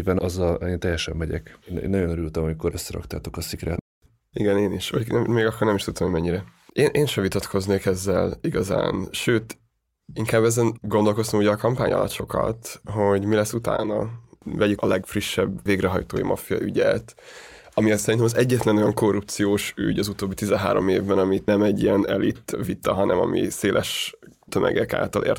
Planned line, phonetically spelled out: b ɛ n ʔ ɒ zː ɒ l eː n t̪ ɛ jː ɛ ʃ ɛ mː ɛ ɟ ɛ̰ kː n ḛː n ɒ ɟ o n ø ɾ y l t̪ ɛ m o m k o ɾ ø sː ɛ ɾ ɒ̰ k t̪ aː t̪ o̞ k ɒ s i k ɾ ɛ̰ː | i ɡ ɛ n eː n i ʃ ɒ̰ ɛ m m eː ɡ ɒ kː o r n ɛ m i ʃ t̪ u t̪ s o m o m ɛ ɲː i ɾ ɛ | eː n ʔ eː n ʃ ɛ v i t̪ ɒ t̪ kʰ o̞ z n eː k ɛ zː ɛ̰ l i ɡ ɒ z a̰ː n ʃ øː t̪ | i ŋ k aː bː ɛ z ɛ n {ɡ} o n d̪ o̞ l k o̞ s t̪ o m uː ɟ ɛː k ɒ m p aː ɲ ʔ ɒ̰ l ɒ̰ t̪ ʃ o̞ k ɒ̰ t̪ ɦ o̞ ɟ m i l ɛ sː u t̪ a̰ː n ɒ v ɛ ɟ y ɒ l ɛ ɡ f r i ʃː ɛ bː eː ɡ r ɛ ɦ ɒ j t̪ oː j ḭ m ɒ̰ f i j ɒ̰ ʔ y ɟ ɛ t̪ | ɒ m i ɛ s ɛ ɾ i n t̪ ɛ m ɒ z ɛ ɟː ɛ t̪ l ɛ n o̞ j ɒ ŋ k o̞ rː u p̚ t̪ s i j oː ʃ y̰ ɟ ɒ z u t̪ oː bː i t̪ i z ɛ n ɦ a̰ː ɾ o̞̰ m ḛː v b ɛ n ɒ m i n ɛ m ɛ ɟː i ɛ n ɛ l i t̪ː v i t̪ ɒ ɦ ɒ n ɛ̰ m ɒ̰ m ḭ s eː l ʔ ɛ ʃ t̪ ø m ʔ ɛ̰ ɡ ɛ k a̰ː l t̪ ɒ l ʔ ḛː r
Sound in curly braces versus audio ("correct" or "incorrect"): correct